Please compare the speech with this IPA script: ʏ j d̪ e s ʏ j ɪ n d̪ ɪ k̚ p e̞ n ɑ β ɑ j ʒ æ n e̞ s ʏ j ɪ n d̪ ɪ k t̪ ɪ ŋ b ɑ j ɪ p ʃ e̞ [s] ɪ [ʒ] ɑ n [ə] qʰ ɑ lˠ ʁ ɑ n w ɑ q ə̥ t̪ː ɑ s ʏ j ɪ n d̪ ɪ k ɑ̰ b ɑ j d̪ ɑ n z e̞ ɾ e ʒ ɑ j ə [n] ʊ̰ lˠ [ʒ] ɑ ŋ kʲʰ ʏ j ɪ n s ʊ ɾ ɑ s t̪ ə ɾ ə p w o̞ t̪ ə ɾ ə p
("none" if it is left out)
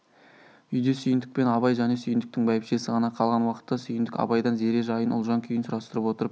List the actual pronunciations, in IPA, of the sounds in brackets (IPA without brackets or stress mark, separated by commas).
s, ʁ, ɑ, n, ʒ